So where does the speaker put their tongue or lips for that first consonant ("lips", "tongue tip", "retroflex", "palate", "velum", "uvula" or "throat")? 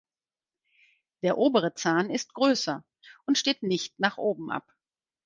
tongue tip